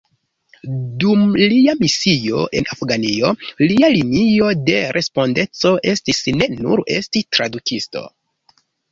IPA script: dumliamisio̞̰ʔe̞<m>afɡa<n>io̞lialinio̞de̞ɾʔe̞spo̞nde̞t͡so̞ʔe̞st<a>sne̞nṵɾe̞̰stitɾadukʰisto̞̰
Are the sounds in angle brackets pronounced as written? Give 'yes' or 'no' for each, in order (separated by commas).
no, yes, no